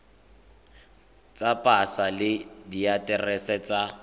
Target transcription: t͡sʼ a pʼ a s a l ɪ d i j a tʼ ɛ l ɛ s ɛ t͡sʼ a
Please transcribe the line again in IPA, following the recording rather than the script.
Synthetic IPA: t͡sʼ a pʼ a s a l ɪ d i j a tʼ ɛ r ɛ s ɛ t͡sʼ a